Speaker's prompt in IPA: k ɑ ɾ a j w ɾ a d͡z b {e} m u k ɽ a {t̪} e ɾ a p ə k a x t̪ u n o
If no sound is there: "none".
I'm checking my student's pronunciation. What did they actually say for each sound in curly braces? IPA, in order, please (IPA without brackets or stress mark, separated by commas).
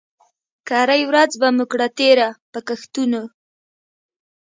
a, t̪